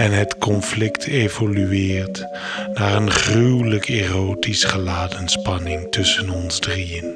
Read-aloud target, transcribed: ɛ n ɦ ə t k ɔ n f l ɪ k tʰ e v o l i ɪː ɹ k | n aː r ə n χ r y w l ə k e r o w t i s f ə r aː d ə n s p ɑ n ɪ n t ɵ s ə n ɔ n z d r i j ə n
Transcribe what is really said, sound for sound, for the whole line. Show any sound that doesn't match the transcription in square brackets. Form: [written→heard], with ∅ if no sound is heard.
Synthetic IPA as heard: ɛ n ɦ ə t k ɔ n f l ɪ k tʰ e v o l [i→y] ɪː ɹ [k→t] | n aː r ə n χ r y w l ə k e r o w t i s [f→χ] ə [r→l] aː d ə n s p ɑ n ɪ [n→ŋ] t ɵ s ə n ɔ n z d r i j ə n